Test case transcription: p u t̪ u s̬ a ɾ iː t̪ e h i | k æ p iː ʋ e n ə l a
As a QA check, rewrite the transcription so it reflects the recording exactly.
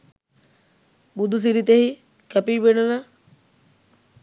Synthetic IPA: b u d̪ u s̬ i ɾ i t̪ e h i | k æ p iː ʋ e n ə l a